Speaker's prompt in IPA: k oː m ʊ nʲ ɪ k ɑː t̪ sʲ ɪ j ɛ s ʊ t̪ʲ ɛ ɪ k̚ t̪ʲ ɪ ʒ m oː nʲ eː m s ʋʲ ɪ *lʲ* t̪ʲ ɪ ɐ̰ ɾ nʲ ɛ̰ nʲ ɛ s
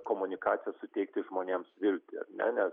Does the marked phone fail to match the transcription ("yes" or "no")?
no